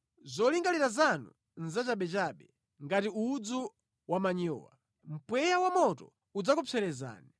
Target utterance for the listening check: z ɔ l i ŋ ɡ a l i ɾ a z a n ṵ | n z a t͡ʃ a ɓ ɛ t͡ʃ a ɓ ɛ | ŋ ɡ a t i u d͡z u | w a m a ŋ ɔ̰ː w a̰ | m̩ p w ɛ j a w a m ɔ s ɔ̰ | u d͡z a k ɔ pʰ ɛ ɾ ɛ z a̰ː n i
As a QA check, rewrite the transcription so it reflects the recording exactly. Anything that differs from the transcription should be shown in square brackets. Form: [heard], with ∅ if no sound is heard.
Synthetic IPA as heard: z ɔ l i ŋ ɡ a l i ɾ a z a n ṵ | n z a t͡ʃ a ɓ ɛ t͡ʃ a ɓ ɛ | ŋ ɡ a t i u d͡z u | w a m a [ɲ] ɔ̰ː w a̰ | m̩ p w ɛ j a w a m ɔ [t] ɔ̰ | u d͡z a k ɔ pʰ ɛ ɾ ɛ z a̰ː n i